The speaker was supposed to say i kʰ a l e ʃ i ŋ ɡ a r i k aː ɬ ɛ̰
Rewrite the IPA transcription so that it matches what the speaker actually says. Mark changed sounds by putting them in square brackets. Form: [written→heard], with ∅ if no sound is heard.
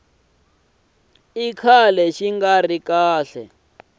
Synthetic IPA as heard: i kʰ a l [e→ɛ] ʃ i ŋ ɡ a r i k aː ɬ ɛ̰